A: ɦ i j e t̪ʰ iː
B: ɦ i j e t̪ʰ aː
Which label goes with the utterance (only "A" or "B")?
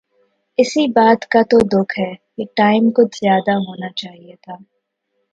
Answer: B